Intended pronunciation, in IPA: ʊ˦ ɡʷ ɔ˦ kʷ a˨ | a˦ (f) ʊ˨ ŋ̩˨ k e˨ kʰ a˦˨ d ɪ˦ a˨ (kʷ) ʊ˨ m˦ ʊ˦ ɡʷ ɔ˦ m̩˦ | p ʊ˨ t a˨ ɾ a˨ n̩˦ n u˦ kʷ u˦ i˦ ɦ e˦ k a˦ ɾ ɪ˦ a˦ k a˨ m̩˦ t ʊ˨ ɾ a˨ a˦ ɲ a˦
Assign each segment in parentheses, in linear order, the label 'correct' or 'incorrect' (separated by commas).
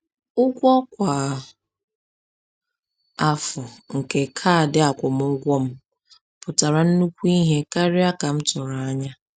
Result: correct, correct